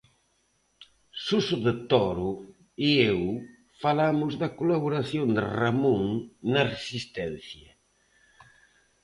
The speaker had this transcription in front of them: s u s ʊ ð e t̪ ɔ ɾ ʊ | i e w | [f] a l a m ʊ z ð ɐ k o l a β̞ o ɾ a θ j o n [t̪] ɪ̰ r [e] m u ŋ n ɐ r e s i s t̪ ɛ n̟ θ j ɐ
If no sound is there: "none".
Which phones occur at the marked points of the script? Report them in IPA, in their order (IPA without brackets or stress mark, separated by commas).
f, d̪, a